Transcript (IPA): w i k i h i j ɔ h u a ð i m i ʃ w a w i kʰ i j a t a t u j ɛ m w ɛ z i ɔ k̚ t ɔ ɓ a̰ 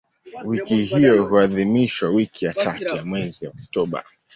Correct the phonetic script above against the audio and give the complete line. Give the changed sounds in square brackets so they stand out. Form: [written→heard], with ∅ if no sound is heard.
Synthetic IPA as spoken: w i k i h i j ɔ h u a ð i m i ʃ w a w i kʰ i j a t a t u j [ɛ→a] m w ɛ z i ɔ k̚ t ɔ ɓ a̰